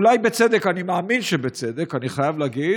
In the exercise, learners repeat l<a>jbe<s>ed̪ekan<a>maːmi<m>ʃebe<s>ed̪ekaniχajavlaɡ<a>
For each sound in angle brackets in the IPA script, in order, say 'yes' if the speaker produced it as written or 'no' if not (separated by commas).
yes, no, no, no, no, no